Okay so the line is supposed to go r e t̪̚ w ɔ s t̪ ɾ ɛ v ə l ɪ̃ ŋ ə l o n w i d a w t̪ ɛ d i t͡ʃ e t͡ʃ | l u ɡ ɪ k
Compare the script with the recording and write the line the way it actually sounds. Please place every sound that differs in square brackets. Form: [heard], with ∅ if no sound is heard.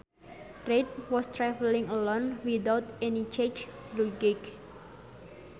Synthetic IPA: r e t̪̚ w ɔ s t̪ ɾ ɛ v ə l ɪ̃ ŋ ə l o n w i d a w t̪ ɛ [n] i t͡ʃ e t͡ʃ | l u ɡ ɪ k